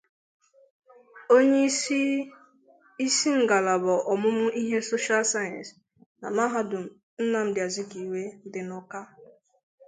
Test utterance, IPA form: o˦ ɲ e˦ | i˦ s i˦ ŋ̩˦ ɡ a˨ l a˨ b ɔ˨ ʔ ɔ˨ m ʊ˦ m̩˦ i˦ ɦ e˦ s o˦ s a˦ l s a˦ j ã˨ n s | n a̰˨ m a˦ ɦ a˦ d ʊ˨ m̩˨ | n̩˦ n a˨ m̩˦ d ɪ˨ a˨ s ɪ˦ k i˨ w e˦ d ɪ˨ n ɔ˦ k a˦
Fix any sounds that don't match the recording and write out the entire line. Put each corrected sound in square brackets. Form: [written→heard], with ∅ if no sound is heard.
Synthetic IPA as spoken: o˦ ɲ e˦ | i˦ s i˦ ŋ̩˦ ɡ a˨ l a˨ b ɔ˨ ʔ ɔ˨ m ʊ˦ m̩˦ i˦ ɦ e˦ s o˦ [s→ʃ] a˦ l s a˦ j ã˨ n s | n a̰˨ m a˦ ɦ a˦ d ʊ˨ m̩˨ | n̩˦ n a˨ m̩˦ d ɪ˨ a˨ [s→z] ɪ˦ k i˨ w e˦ d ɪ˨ n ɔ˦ k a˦